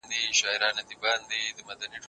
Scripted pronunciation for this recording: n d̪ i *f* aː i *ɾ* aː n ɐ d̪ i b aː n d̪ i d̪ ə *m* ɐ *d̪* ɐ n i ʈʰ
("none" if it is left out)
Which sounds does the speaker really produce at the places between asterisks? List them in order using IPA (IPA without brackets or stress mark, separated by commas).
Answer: ʃ, ɾ, m, d̪